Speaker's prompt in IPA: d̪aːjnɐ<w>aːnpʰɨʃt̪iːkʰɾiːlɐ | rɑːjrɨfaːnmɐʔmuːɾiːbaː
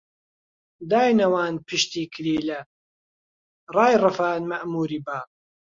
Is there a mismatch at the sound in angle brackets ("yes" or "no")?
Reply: no